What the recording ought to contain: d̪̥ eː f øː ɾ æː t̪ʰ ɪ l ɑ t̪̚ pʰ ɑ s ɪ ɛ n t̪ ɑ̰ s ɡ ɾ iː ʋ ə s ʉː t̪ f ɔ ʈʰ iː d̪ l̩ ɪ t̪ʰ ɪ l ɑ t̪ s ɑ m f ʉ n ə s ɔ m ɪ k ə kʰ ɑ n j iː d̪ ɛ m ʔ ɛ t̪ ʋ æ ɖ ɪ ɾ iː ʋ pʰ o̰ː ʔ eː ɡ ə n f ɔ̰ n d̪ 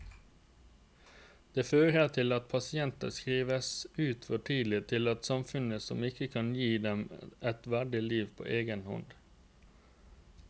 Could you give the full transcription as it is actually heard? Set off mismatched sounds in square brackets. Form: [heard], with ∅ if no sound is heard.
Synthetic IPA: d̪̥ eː f øː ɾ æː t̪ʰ ɪ l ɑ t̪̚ pʰ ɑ s ɪ ɛ n t̪ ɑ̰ s [k] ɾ iː ʋ ə s ʉː t̪ f ɔ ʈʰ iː d̪ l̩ ɪ t̪ʰ ɪ l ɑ t̪ s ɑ m f ʉ n ə s ɔ m ɪ k ə kʰ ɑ n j iː d̪ ɛ m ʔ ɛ t̪ ʋ æ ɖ ɪ [l] iː ʋ pʰ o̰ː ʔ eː ɡ ə n [h] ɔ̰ n d̪